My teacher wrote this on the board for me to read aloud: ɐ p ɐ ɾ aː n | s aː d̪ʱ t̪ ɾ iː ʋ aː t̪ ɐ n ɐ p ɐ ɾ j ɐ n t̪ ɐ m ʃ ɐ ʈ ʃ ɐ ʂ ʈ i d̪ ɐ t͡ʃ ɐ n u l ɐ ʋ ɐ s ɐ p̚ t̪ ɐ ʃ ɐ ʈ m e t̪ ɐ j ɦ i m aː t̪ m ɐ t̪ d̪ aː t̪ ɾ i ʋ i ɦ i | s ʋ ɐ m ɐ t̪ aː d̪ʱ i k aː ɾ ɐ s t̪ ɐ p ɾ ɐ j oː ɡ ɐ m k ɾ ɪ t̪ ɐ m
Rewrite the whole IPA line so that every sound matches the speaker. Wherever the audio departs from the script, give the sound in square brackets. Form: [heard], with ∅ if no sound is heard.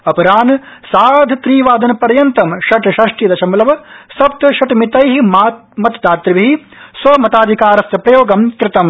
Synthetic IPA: ɐ p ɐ ɾ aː n | s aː d̪ʱ t̪ ɾ iː ʋ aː [d̪] ɐ n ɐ p ɐ ɾ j ɐ n t̪ ɐ m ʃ ɐ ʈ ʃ ɐ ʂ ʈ i d̪ ɐ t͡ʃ ɐ [m] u l ɐ ʋ ɐ s ɐ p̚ t̪ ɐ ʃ ɐ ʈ m [i] t̪ ɐ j ɦ i m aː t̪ m ɐ t̪ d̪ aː t̪ ɾ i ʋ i ɦ i | s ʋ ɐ m ɐ t̪ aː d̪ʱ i k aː ɾ ɐ s t̪ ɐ p ɾ ɐ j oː ɡ ɐ m k ɾ ɪ t̪ ɐ m